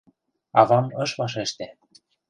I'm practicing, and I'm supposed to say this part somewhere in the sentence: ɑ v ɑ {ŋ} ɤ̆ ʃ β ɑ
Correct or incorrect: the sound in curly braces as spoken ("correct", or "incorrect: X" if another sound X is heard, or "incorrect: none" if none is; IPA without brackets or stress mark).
incorrect: m